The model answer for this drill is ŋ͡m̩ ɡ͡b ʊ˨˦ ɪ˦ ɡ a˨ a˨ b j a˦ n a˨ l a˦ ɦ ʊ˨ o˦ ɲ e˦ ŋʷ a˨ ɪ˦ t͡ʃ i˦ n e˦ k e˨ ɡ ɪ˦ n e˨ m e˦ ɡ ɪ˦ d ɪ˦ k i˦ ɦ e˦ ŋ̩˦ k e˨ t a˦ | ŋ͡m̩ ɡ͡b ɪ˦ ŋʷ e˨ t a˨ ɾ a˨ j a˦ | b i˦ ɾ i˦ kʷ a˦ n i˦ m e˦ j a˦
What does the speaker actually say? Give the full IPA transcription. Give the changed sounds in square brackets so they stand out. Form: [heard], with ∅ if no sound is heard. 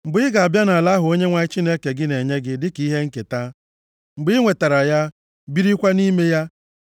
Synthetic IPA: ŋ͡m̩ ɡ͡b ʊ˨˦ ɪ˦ ɡ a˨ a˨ b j a˦ n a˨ l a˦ ɦ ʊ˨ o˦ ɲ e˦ ŋʷ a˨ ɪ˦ t͡ʃ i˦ n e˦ k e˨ ɡ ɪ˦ n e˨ [ɲ] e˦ ɡ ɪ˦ d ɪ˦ k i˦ ɦ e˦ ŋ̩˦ k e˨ t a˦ | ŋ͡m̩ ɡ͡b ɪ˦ ŋʷ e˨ t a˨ ɾ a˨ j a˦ | b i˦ ɾ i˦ kʷ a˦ n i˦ m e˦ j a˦